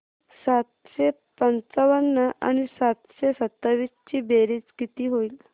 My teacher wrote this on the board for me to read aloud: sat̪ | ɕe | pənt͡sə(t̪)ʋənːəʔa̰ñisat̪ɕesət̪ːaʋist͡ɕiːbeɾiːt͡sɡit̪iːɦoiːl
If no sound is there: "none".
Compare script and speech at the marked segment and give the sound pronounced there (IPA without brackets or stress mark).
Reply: none